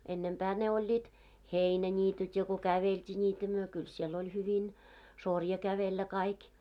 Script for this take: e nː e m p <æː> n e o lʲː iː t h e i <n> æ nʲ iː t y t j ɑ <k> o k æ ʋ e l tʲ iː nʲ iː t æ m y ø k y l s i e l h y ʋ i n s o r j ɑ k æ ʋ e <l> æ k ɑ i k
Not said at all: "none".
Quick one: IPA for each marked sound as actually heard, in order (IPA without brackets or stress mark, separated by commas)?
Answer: æː, n, k, lː